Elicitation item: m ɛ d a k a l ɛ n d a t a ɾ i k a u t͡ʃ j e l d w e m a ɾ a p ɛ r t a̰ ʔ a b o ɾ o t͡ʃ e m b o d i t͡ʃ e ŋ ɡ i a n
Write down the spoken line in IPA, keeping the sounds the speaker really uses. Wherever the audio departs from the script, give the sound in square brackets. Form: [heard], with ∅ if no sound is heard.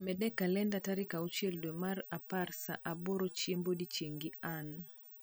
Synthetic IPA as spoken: m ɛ d [ɛ] k a l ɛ n d a t a ɾ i k a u t͡ʃ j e l d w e m a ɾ a p [a] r [s] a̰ ʔ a b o ɾ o t͡ʃ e m b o d i t͡ʃ e ŋ ɡ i a n